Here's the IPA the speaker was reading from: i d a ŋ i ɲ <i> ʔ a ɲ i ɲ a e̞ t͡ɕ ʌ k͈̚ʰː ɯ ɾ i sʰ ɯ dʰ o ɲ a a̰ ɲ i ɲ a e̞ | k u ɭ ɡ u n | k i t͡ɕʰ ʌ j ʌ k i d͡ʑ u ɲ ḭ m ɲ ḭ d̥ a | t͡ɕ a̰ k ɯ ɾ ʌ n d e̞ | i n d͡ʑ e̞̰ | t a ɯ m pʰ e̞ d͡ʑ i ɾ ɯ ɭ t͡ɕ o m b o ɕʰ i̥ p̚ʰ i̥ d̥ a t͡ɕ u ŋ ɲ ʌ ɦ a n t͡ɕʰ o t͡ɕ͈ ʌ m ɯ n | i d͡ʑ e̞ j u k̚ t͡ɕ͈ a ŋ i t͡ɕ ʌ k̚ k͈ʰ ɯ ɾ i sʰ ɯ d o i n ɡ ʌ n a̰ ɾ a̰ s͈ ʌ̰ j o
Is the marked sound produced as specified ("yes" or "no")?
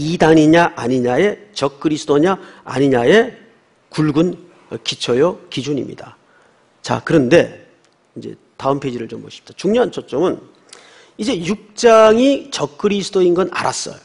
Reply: no